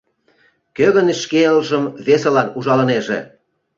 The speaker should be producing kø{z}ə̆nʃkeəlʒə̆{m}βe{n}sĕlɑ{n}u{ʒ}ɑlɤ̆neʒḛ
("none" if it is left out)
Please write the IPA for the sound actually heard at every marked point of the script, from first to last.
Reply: ɣ, m, none, n, ʒ

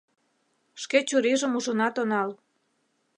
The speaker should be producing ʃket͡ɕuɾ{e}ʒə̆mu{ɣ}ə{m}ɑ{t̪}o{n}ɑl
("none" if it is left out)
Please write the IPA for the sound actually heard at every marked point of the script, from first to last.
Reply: i, ʒ, n, t̪, n

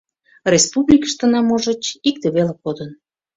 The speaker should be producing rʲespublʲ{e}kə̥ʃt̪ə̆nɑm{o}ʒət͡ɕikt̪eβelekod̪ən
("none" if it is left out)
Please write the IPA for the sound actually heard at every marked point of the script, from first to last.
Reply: i, o

